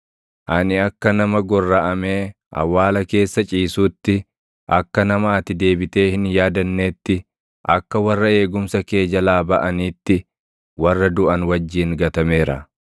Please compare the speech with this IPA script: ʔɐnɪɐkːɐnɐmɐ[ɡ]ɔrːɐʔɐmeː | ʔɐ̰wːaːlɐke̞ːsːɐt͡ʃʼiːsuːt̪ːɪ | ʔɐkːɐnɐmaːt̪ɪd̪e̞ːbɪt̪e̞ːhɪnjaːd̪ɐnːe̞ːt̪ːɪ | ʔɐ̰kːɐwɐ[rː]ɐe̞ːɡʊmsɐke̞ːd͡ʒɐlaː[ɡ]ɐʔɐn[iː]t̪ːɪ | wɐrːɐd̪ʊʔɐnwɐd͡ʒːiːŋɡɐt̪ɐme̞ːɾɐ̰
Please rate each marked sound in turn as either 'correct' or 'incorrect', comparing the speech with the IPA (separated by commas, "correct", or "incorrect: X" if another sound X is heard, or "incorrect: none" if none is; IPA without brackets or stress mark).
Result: correct, correct, incorrect: b, correct